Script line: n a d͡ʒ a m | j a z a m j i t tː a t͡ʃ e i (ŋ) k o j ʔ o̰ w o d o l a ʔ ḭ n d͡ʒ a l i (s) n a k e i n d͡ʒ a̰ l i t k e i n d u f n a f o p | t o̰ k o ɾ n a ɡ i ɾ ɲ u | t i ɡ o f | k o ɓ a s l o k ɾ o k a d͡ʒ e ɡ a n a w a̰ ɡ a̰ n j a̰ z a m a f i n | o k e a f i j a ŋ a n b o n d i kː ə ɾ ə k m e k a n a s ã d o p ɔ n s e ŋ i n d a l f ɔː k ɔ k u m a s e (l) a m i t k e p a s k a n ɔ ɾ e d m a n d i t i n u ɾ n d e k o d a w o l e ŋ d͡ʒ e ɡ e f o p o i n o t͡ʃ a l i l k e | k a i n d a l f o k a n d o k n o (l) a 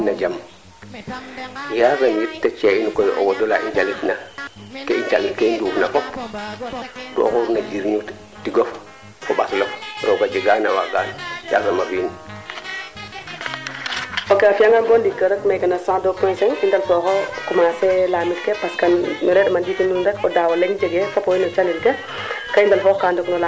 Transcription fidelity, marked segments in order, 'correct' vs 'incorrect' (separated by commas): incorrect, incorrect, correct, correct